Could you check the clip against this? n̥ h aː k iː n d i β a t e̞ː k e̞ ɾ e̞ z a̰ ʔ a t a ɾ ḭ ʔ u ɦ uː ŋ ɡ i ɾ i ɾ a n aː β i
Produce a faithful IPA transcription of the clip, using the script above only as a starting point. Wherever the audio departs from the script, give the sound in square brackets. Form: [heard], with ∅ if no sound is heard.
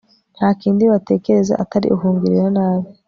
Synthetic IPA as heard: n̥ h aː k iː n d i β a t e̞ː k e̞ ɾ e̞ z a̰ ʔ a t a ɾ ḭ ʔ u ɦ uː ŋ ɡ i ɾ i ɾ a n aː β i